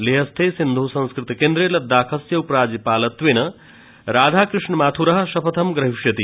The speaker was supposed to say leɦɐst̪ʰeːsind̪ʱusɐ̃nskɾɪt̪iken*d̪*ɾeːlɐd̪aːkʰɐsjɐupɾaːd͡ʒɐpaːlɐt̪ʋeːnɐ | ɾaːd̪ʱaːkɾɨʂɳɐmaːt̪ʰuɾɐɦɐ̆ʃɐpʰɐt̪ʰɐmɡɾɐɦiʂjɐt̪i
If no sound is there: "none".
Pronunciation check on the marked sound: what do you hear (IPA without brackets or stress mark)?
d̪